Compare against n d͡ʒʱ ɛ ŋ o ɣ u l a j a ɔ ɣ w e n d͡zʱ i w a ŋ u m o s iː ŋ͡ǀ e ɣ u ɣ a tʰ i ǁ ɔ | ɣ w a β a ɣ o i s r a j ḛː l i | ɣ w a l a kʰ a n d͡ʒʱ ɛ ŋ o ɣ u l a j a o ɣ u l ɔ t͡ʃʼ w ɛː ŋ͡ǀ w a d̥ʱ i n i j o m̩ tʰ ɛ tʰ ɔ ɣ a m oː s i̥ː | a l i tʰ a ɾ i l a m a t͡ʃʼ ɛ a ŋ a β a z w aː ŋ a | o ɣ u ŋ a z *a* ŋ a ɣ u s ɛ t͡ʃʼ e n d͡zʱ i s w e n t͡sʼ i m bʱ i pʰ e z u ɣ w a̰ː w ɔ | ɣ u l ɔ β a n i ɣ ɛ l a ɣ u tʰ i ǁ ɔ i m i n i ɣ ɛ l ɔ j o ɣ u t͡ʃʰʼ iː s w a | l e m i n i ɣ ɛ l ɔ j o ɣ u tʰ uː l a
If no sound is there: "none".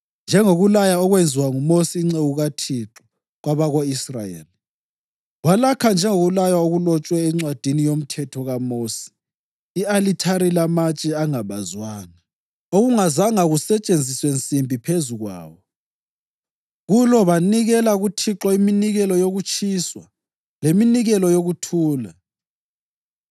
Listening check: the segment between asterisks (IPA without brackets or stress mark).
a